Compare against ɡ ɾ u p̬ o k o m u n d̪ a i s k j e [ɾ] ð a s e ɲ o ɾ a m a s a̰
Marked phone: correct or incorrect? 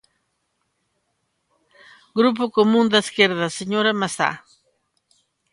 correct